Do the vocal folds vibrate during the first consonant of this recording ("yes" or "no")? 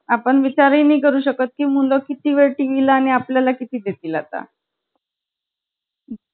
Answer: no